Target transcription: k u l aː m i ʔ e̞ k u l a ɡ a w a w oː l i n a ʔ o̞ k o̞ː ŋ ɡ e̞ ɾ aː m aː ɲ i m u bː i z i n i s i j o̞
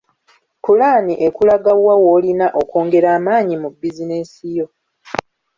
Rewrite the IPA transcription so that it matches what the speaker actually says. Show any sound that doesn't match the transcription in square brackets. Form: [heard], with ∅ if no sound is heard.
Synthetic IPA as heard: k u l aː [n] i ʔ e̞ k u l a ɡ a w a w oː l i n a ʔ o̞ k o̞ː ŋ ɡ e̞ ɾ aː m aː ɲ i m u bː i z i n [e] s i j o̞